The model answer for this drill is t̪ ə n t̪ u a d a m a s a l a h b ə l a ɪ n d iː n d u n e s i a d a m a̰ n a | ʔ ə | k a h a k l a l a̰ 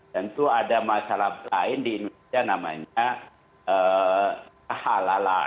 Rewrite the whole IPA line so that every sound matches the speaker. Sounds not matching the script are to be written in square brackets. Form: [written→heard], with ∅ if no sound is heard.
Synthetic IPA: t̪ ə n t̪ u a d a m a s a l a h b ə l a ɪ n d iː n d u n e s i a [d→n] a m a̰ [n→ɲ] a | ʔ ə | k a h a [k→∅] l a l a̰